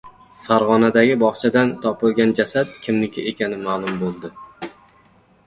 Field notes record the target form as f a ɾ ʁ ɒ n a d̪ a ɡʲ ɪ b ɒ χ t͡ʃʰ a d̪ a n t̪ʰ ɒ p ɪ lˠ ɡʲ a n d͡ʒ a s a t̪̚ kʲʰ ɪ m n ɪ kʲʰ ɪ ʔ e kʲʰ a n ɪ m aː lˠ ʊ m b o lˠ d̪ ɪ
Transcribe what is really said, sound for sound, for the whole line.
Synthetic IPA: f a ɾ ʁ ɒ n a d̪ a ɡʲ ɪ b ɒ χ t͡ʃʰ a d̪ a n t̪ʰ ɒ p ɪ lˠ ɡʲ a n d͡ʒ a s a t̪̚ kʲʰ ɪ m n ɪ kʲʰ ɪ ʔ e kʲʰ a n ɪ m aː lˠ ʊ m b o lˠ d̪ ɪ

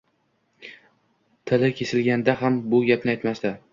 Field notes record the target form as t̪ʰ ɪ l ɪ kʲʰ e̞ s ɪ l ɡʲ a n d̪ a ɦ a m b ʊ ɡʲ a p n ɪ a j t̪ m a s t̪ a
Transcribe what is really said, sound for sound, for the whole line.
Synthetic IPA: t̪ʰ ɪ l ɪ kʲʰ e̞ s ɪ l ɡʲ a n d̪ a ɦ a m b ʊ ɡʲ a p n ɪ a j t̪ m a s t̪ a

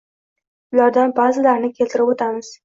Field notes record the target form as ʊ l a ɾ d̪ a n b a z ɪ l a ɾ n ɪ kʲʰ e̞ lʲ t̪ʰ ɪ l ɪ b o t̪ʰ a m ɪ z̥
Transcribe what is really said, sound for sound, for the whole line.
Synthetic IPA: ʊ l a ɾ d̪ a n b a z ɪ l a ɾ n ɪ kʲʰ e̞ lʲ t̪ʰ ɪ ɾ ɪ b o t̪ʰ a m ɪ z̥

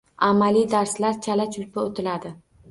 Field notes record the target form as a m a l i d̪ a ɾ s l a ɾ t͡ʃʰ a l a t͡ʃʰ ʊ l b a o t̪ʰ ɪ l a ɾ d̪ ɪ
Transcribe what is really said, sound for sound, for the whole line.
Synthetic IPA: a m a l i d̪ a ɾ s l a ɾ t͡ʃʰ a l a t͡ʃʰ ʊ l p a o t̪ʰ ɪ l a d̪ ɪ

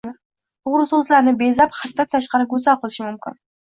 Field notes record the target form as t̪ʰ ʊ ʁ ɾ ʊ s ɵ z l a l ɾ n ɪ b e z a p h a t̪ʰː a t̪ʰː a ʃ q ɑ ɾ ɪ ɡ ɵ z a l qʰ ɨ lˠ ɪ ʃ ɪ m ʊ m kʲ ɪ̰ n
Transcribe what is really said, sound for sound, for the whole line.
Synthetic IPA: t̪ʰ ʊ ʁ ɾ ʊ s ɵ z l a ɾ n ɪ b e z a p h a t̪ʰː a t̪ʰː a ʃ q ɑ ɾ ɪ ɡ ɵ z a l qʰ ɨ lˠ ɪ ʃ ɪ m ʊ m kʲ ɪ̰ n

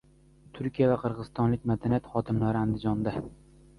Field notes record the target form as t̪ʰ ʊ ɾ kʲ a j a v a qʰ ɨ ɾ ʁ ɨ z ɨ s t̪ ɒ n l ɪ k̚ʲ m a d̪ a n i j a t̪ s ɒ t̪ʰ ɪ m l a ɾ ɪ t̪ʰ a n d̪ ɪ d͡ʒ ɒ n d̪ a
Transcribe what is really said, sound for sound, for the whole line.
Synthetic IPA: t̪ʰ ʊ ɾ kʲ i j a v a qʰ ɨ ɾ ʁ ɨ z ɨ s t̪ ɒ n l ɪ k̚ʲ m a d̪ a n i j a t̪ χ ɒ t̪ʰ ɪ m l a ɾ ɪ a n d̪ ɪ d͡ʒ ɒ n d̪ a

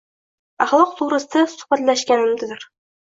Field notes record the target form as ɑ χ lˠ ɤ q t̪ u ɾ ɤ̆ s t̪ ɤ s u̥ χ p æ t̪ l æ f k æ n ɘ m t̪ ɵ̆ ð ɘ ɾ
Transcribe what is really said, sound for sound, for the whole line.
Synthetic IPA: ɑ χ lˠ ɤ q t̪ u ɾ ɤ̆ s t̪ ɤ s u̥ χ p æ t̪ l æ ʃ k æ n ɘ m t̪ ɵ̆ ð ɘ ɾ

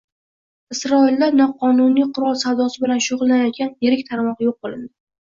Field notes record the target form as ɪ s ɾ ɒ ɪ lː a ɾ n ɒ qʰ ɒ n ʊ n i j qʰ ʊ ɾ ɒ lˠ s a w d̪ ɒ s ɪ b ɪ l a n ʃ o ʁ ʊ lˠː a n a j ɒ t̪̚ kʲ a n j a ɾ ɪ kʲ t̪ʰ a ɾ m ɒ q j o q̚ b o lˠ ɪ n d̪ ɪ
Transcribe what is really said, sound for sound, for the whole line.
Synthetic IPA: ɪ s ɾ ɒ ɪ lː a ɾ n ɒ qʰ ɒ n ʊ n i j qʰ ʊ ɾ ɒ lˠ s a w d̪ ɒ s ɪ b ɪ l a n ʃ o ʁ ʊ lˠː a n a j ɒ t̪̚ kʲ a n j e ɾ ɪ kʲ t̪ʰ a ɾ m ɒ q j o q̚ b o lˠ ɪ n d̪ ɪ

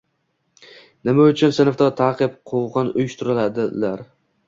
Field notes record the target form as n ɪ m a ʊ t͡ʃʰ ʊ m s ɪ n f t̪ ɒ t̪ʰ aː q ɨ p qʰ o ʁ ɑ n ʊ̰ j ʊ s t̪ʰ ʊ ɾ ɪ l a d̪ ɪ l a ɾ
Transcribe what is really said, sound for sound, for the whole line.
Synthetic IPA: n ɪ m a ʊ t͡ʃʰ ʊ n s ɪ n f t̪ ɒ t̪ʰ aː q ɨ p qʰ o ʁ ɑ n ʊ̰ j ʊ ʃ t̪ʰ ʊ ɾ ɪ l a d̪ ɪ l a ɾ

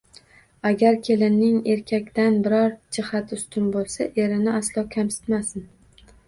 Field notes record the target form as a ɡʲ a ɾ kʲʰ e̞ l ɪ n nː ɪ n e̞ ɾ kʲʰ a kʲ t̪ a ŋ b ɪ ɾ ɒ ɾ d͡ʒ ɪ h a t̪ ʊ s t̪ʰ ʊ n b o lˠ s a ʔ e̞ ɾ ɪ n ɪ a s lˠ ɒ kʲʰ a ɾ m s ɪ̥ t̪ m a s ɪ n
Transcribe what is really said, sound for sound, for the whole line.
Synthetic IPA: a ɡʲ a ɾ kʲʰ e̞ l ɪ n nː ɪ ŋ e̞ ɾ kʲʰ a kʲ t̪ a n b ɪ ɾ ɒ ɾ d͡ʒ ɪ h a t̪ ʊ s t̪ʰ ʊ n b o lˠ s a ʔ e̞ ɾ ɪ n ɪ a s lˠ ɒ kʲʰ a m s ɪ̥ t̪ m a s ɪ n

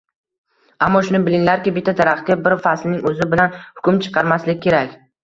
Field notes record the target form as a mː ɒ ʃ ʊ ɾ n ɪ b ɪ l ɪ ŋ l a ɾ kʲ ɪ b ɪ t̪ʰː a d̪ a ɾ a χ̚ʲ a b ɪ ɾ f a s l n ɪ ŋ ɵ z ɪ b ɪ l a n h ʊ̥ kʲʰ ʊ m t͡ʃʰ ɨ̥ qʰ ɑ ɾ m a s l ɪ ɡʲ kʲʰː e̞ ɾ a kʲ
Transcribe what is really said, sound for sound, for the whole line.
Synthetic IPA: a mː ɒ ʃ ʊ n ɪ b ɪ l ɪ ŋ l a ɾ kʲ ɪ b ɪ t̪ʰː a d̪ a ɾ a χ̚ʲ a b ɪ ɾ f a s l n ɪ ŋ ɵ z ɪ b ɪ l a n h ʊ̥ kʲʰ ʊ m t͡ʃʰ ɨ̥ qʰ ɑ ɾ m a s l ɪ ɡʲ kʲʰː e̞ ɾ a kʲ

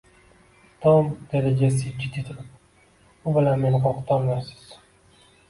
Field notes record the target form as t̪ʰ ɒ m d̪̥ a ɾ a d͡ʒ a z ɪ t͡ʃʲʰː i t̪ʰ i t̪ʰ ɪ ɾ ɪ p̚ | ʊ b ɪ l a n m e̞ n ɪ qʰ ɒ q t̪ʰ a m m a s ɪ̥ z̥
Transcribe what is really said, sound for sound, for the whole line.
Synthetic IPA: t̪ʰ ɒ m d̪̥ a ɾ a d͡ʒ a s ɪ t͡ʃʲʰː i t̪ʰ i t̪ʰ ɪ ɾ ɪ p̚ | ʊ b ɪ l a n m e̞ n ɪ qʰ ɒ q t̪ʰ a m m a s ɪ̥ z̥

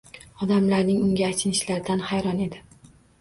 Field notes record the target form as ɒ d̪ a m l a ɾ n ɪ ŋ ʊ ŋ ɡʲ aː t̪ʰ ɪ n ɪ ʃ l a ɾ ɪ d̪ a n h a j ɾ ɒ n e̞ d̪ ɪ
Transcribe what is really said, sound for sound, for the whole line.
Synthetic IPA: ɒ d̪ a m l a ɾ n ɪ ŋ ʊ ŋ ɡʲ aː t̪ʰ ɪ n ɪ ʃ l a ɾ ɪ d̪ a n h a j ɾ ɒ n e̞ d̪ ɪ

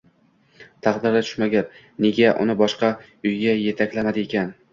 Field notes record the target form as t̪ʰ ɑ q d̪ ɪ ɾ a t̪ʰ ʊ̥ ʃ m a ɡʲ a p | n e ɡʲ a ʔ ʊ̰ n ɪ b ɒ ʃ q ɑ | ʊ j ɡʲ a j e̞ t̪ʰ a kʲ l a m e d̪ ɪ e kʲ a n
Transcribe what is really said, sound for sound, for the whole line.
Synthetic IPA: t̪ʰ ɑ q d̪ ɪ ɾ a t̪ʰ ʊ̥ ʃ m a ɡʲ a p | n e ɡʲ a ʔ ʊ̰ n ɪ b ɒ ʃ q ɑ | ʊ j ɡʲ a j e̞ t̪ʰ a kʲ l a m a d̪ ɪ e kʲ a n

